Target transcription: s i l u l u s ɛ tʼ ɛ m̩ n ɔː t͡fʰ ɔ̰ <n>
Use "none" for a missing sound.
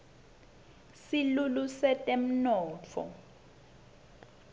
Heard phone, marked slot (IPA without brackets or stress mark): none